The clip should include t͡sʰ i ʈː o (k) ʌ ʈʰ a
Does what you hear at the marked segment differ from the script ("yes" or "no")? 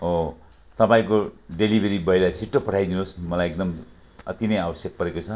yes